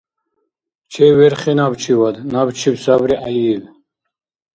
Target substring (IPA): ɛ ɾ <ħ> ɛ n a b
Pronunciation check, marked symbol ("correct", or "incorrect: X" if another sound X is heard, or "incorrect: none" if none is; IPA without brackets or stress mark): incorrect: χ